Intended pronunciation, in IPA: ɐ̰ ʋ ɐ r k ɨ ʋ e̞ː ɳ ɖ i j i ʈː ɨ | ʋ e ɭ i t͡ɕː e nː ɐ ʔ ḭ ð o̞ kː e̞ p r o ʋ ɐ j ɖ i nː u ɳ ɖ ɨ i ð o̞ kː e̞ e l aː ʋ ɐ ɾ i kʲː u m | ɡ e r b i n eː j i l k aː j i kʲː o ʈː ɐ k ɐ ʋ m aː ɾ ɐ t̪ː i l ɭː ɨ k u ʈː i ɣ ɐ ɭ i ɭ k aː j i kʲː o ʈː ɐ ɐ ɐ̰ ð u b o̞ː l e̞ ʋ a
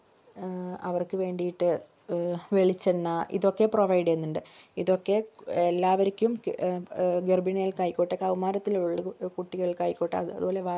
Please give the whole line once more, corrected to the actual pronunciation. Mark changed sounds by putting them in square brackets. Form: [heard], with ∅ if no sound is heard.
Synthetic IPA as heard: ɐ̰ ʋ ɐ r k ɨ ʋ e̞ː ɳ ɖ i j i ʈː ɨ | ʋ e ɭ i t͡ɕː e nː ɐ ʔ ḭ ð o̞ kː e̞ p r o ʋ ɐ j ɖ [e] nː u ɳ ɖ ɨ i ð o̞ kː e̞ e [lː] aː ʋ ɐ ɾ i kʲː u m | ɡ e r b i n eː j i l k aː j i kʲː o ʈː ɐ k ɐ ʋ m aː ɾ ɐ t̪ː i l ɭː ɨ k u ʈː i ɣ ɐ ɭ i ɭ k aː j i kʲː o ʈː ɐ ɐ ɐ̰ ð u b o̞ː l e̞ ʋ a

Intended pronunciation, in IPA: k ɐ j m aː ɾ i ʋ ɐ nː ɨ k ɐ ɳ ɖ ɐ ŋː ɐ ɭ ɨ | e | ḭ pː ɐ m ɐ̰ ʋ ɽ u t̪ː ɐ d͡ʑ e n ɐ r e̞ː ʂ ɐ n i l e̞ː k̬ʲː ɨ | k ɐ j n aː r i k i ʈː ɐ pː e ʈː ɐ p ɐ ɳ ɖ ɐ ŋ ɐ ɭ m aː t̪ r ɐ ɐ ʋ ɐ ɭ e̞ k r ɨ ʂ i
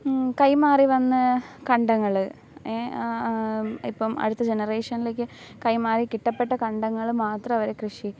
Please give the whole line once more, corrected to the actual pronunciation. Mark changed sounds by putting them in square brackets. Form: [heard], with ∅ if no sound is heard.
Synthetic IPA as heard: k ɐ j m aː [r] i ʋ ɐ nː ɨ k ɐ ɳ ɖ ɐ ŋː ɐ ɭ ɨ | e | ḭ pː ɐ m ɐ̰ [∅] ɽ u t̪ː ɐ d͡ʑ e n ɐ r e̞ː ʂ ɐ n i l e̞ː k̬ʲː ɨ | k ɐ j [m] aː r i k i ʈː ɐ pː e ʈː ɐ [k] ɐ ɳ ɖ ɐ [ŋː] ɐ ɭ m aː t̪ r ɐ ɐ ʋ ɐ [ɾ] e̞ k r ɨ ʂ i

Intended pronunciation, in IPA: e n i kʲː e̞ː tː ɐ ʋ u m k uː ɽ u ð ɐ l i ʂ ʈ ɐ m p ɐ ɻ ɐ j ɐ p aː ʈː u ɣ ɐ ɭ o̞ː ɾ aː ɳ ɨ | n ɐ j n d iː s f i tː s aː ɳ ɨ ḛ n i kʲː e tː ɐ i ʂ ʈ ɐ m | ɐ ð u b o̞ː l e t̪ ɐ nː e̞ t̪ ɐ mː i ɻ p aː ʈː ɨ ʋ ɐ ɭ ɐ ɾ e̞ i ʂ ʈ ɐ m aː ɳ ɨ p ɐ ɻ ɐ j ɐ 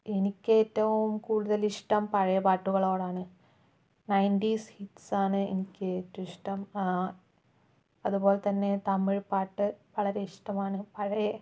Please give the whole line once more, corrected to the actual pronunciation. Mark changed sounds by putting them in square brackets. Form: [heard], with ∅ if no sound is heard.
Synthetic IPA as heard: e n i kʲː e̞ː tː ɐ ʋ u m k uː ɽ u ð ɐ l i ʂ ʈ ɐ m p ɐ ɻ ɐ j ɐ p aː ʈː u ɣ ɐ ɭ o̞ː [ɽ] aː ɳ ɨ | n ɐ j n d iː s [h] i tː s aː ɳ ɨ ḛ n i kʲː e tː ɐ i ʂ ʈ ɐ m | ɐ ð u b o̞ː l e t̪ ɐ nː e̞ t̪ ɐ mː i ɻ p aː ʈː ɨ ʋ ɐ ɭ ɐ ɾ e̞ i ʂ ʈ ɐ m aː ɳ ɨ p ɐ ɻ ɐ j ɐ

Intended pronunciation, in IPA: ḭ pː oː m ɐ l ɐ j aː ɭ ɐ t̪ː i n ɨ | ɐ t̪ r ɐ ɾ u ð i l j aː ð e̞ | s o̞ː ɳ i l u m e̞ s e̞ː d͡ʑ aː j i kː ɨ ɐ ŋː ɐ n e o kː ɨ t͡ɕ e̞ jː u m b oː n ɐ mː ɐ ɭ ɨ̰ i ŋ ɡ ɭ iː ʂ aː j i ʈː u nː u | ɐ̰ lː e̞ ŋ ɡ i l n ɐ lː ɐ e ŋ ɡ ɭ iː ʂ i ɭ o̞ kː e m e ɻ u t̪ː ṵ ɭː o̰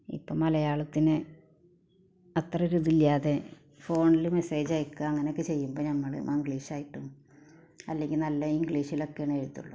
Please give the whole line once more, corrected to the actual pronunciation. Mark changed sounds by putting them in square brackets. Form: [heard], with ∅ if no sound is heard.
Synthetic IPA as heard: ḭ pː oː m ɐ l ɐ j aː ɭ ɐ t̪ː i n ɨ | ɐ t̪ r ɐ ɾ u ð i l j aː ð e̞ | [f] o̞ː ɳ i l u m e̞ s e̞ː d͡ʑ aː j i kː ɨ ɐ ŋː ɐ n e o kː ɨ t͡ɕ e̞ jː u m b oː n ɐ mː ɐ ɭ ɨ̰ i ŋ ɡ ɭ iː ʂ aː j i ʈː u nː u | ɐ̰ lː e̞ ŋ ɡ i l n ɐ lː ɐ [i] ŋ ɡ ɭ iː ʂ i [l] o̞ kː e [ɳ] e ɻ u t̪ː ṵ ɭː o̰

